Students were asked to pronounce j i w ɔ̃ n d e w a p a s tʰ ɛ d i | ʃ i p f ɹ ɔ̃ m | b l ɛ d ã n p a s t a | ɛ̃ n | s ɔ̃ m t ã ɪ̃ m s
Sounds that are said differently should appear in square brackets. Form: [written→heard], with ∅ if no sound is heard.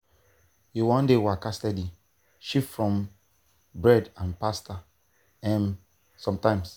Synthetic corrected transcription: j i w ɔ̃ n d e w a [p→k] a s [tʰ→t] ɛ d i | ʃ i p f ɹ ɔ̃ m | b [l→ɹ] ɛ d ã n p a s t a | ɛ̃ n | s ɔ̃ m t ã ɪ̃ m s